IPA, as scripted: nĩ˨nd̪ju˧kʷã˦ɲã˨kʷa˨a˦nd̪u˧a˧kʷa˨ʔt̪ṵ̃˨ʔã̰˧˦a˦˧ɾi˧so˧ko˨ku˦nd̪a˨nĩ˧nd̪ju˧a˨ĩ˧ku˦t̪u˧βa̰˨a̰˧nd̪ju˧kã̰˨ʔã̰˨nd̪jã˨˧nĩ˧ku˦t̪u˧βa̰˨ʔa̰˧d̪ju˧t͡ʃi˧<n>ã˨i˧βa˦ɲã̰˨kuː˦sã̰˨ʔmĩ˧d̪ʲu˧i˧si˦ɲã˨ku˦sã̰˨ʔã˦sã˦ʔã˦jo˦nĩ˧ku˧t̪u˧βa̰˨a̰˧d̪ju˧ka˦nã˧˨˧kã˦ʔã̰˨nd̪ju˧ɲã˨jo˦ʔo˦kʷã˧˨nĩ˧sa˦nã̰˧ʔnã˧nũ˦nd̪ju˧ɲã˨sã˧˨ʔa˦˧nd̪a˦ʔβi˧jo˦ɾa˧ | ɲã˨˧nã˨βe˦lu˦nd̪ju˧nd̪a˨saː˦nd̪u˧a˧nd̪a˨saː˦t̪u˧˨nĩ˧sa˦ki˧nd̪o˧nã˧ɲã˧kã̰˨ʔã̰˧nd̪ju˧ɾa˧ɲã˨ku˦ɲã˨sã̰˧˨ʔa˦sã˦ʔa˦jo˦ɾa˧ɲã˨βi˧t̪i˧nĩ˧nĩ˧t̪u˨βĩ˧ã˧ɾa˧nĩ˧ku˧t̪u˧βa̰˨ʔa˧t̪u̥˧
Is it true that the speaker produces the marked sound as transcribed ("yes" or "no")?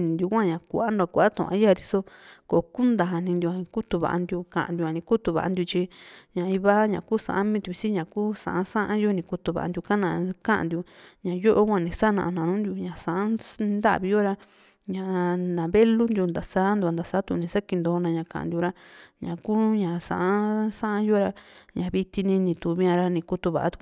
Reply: no